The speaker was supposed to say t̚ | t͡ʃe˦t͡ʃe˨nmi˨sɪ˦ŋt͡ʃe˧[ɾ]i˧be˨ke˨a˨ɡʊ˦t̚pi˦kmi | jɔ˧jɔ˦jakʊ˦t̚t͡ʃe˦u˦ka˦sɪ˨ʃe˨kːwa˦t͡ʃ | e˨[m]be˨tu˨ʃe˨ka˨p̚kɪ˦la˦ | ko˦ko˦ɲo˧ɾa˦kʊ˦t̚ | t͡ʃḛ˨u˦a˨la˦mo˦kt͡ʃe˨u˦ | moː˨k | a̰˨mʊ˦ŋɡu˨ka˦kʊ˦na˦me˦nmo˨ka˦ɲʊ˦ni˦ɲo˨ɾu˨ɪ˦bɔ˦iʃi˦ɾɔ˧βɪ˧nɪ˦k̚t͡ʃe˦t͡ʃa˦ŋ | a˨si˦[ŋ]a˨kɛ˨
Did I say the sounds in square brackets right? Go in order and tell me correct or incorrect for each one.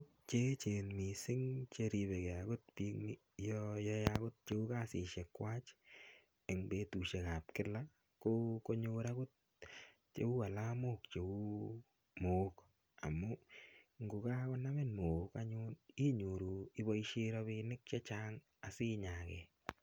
correct, incorrect: ŋ, incorrect: ɲ

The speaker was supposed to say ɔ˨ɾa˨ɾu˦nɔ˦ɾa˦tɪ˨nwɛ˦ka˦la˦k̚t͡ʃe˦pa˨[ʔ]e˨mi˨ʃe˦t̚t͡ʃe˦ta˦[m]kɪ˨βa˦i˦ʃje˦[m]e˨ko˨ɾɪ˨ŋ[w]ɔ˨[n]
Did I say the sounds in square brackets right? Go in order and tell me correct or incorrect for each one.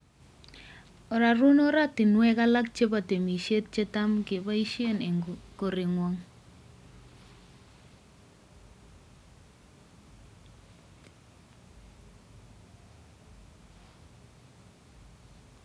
incorrect: t, correct, incorrect: n, correct, incorrect: ŋ

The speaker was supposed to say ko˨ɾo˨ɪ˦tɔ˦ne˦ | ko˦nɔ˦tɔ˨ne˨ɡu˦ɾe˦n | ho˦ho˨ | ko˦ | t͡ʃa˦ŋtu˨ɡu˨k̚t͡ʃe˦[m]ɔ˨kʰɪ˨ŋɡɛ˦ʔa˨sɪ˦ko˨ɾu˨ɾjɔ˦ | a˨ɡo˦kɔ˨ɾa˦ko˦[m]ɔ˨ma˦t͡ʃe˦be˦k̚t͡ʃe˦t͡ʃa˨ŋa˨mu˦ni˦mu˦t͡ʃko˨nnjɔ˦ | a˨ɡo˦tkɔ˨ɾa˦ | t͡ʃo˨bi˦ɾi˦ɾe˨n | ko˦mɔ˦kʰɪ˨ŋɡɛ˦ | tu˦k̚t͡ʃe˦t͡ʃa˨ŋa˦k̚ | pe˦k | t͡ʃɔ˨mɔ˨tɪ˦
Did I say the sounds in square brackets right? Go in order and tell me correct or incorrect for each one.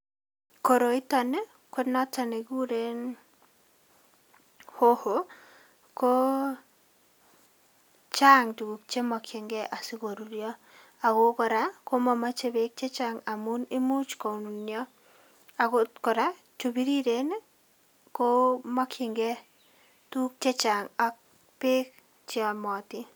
correct, correct

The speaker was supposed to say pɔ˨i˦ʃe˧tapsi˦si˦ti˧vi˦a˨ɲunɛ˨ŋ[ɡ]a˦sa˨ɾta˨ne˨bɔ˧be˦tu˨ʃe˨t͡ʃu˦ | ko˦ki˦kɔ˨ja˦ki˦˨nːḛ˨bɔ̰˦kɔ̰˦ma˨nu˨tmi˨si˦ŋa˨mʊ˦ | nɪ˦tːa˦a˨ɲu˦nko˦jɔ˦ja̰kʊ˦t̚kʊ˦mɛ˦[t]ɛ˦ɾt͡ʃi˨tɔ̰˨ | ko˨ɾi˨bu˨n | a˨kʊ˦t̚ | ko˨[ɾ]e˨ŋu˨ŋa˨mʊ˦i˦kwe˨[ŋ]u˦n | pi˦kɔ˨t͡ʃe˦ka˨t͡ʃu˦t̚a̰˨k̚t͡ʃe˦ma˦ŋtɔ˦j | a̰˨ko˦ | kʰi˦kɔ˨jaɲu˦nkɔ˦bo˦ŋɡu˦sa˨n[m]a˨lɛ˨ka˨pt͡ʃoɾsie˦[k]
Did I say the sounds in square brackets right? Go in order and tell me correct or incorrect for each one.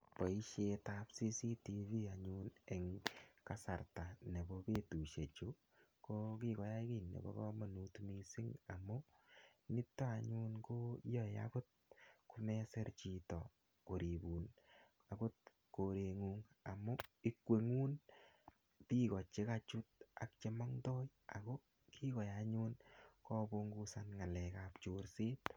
incorrect: k, incorrect: s, correct, correct, incorrect: ŋ, incorrect: t

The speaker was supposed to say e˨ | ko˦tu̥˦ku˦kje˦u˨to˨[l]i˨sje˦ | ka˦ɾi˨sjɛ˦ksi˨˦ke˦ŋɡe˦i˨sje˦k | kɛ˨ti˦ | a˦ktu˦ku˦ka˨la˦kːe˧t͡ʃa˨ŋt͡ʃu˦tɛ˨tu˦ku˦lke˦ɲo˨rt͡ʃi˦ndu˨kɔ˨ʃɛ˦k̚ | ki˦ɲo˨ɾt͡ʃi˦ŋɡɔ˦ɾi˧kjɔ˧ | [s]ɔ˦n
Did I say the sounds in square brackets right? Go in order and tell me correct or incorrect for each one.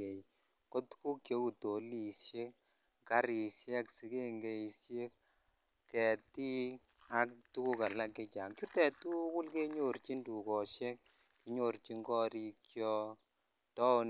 correct, incorrect: t

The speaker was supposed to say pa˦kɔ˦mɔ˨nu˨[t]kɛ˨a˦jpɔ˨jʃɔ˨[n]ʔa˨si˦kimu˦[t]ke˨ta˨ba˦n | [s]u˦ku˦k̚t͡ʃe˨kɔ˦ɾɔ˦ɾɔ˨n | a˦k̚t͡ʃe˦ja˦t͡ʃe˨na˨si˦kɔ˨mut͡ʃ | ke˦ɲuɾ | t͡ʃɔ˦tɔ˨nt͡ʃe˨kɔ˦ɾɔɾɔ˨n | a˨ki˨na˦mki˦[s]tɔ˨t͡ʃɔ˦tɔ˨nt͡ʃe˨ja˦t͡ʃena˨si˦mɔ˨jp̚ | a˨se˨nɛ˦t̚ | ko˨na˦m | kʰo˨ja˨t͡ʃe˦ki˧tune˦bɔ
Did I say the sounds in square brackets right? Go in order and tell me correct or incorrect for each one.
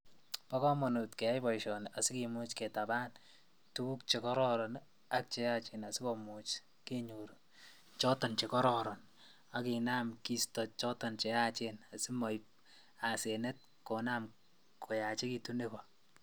correct, correct, incorrect: t͡ʃ, incorrect: t, correct

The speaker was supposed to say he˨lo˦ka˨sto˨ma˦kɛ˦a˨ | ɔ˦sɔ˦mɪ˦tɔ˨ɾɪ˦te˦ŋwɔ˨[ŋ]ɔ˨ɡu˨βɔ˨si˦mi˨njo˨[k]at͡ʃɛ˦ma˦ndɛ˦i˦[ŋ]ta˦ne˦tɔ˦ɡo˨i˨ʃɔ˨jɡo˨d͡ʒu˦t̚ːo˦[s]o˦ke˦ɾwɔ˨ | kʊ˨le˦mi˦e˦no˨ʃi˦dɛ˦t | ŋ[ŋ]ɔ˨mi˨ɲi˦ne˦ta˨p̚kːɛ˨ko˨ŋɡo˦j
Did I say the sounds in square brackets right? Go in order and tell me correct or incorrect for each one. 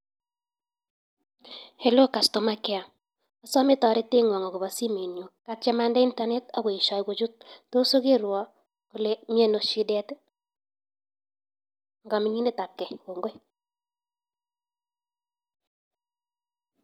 correct, correct, incorrect: n, correct, incorrect: ɡ

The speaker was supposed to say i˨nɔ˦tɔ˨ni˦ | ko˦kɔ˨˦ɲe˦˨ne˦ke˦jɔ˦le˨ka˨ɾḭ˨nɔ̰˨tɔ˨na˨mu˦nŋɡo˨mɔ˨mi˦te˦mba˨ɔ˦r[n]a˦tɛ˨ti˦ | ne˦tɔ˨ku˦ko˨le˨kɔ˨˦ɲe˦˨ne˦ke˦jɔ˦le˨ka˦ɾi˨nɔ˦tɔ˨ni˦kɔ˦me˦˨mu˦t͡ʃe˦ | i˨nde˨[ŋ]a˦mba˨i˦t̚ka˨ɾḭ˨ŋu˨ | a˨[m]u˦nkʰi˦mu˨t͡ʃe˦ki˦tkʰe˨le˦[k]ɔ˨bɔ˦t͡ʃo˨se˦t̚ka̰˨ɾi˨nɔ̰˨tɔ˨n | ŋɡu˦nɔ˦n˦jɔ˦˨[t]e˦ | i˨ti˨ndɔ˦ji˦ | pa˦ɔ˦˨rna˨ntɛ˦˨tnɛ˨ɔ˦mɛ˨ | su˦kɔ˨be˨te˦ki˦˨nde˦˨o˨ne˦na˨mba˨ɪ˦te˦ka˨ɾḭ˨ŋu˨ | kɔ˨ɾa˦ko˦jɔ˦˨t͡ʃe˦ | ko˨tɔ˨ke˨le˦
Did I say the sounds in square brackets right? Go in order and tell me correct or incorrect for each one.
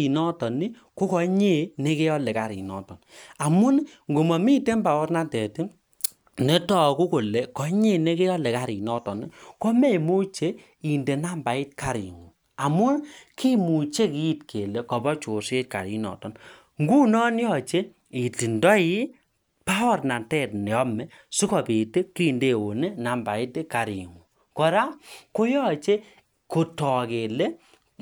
correct, incorrect: n, correct, correct, incorrect: t͡ʃ

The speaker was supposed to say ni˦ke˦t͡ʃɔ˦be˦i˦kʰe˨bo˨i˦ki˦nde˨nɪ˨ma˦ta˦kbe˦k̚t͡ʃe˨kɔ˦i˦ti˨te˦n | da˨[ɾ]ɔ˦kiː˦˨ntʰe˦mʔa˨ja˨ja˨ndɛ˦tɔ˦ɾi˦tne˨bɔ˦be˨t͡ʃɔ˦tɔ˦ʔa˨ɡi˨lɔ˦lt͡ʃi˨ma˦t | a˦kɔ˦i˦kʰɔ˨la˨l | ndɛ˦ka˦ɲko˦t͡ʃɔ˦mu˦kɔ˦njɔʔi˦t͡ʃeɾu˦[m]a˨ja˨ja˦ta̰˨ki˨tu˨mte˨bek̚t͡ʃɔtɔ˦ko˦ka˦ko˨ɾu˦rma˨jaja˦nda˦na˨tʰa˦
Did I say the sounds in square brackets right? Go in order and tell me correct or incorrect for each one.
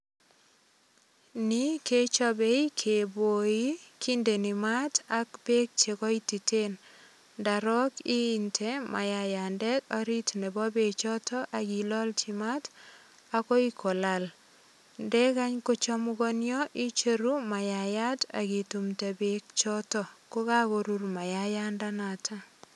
correct, correct

